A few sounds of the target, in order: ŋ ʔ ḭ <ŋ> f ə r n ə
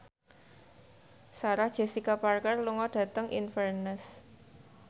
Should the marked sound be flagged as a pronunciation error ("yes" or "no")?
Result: yes